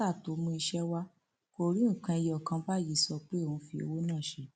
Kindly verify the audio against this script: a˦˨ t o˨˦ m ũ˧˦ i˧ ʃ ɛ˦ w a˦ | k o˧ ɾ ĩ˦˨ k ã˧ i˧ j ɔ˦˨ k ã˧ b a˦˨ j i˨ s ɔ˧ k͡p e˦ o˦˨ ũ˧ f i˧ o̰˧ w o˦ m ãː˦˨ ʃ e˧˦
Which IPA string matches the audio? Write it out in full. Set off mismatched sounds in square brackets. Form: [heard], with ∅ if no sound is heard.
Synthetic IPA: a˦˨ t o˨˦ m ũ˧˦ i˧ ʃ ɛ˦ w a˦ | k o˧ ɾ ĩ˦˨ k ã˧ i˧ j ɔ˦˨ k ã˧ b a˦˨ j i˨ s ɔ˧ k͡p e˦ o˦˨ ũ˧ f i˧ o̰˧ w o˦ [n] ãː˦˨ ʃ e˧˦